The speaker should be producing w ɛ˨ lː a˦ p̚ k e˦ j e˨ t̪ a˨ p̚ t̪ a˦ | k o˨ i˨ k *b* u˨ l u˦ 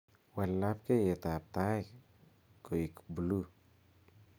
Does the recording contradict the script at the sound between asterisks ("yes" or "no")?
no